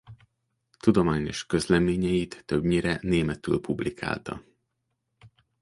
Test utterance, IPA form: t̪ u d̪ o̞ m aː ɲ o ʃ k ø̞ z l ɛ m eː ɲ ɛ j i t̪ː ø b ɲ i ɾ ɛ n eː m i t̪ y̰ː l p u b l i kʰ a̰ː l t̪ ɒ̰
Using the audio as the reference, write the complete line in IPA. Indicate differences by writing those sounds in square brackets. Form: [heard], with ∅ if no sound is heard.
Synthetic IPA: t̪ u d̪ o̞ m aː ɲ o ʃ k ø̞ z l ɛ m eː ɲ ɛ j i t̪ː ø b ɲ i ɾ ɛ n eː m [ɛ] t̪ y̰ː l p u b l i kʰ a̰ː l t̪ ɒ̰